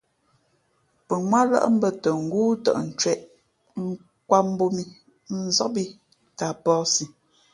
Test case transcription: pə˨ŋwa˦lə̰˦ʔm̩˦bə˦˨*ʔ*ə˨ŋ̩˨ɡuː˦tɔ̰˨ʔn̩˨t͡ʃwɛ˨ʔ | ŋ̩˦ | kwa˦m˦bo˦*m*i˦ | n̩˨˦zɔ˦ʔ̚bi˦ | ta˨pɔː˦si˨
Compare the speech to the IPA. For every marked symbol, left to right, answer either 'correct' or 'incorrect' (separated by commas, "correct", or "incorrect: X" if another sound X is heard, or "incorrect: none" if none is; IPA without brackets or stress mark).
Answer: incorrect: t, correct